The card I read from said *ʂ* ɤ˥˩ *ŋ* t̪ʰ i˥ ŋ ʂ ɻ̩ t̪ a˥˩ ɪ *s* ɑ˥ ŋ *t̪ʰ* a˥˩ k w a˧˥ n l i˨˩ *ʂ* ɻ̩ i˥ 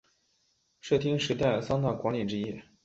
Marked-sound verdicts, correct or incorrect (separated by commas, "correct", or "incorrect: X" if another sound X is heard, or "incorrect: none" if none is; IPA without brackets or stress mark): correct, incorrect: none, correct, incorrect: t̪, incorrect: ʈ͡ʂ